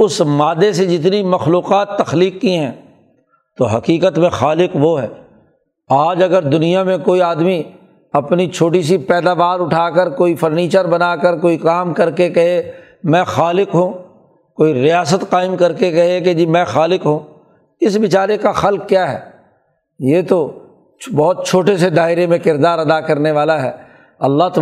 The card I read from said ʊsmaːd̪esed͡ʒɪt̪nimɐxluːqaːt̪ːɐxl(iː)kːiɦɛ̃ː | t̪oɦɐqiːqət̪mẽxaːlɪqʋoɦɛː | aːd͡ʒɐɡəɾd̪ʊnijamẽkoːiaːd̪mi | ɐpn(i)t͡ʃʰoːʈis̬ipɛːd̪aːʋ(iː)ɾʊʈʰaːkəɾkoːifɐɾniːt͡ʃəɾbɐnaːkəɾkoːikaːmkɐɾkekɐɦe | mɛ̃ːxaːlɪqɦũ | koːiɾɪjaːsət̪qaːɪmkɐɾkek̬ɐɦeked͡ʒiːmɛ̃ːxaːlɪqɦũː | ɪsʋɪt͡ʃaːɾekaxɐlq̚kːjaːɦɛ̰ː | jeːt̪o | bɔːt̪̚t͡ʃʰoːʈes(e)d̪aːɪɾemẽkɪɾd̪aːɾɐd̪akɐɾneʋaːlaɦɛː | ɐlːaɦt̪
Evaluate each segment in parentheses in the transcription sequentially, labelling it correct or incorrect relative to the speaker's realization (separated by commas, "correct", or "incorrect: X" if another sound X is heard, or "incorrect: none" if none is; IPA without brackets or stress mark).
correct, correct, incorrect: aː, correct